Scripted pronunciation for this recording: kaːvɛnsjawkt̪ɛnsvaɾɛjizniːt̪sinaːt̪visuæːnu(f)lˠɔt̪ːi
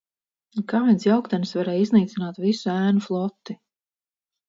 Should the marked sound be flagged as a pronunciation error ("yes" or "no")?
no